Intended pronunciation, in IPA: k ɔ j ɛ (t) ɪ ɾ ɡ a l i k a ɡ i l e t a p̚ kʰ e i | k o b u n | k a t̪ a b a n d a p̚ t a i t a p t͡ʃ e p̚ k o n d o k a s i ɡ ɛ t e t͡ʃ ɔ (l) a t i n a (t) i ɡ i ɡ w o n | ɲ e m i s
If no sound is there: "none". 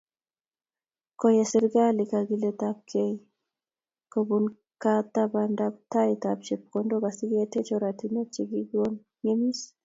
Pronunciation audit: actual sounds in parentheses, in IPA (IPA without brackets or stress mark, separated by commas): s, ɾ, t͡ʃ